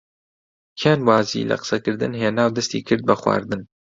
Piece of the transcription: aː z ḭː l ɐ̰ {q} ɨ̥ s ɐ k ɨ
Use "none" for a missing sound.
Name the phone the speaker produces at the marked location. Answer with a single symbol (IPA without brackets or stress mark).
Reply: q